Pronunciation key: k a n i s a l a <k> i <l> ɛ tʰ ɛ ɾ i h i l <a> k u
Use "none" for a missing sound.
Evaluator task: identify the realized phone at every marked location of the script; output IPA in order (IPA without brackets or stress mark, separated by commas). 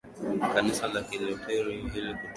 k, l, i